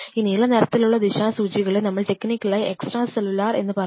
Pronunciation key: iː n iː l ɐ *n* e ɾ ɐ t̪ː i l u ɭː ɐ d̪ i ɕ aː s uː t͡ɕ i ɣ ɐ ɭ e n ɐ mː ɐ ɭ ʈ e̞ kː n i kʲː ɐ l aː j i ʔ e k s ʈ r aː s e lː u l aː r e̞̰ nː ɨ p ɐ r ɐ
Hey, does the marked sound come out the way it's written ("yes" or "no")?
yes